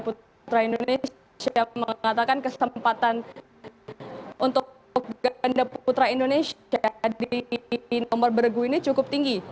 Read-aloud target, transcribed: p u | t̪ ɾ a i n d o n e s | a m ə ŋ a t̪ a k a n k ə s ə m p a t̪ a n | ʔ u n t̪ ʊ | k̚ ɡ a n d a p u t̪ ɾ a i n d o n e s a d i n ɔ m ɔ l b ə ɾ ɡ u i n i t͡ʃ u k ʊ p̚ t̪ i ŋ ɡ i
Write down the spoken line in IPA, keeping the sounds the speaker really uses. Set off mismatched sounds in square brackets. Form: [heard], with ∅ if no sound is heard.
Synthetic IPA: p u | t̪ ɾ a i n d o n e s | a m ə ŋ a t̪ a k a n k ə s ə m p a t̪ a n | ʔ u n t̪ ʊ | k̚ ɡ a n d a p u t̪ ɾ a i n d o n e s a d i n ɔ m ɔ [r] b ə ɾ ɡ u i n i t͡ʃ u k ʊ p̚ t̪ i ŋ ɡ i